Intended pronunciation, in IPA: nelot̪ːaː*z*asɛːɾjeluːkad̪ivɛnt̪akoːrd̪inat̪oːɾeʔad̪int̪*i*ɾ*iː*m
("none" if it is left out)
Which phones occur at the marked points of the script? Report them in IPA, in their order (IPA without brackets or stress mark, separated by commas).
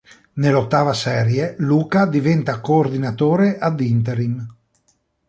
v, e, i